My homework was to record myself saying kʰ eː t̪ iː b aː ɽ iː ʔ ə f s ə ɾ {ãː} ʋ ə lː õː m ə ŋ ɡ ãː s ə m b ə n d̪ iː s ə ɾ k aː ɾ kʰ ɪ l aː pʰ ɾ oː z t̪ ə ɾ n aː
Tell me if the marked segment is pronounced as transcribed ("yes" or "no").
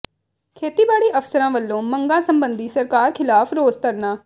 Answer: yes